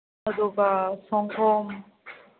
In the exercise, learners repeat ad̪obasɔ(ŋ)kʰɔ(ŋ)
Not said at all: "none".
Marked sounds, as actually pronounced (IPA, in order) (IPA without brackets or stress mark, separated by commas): ŋ, m